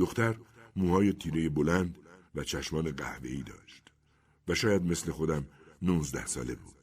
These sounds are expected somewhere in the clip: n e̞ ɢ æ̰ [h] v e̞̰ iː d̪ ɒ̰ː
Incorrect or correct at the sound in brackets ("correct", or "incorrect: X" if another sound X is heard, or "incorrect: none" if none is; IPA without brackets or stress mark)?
correct